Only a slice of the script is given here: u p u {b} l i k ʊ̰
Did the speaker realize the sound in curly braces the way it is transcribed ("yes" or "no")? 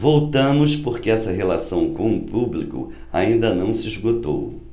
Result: yes